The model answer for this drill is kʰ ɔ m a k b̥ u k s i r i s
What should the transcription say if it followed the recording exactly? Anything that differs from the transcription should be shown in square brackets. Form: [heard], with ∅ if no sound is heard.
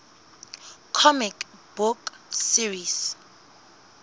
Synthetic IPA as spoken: kʰ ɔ m [i] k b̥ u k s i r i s